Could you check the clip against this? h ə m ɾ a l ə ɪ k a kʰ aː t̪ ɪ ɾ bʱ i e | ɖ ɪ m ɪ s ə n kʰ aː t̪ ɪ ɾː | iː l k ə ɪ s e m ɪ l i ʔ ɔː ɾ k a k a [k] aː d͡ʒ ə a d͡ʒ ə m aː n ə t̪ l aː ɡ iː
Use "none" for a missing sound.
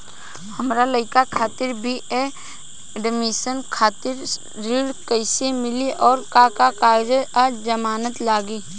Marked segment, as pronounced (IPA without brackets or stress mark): k